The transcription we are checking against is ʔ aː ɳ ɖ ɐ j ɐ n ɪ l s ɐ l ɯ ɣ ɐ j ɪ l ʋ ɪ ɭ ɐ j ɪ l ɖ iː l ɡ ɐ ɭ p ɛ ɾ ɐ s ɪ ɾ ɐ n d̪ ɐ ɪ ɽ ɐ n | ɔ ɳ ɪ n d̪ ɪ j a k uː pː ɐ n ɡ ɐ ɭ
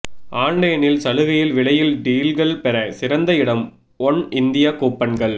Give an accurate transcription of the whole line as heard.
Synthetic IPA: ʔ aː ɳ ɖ ɐ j ɐ n ɪ l s ɐ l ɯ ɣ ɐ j ɪ l ʋ ɪ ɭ ɐ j ɪ l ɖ iː l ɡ ɐ ɭ p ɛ ɾ ɐ s ɪ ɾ ɐ n d̪ ɐ ɪ ɽ ɐ m | ɔ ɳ ɪ n d̪ ɪ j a k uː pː ɐ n ɡ ɐ ɭ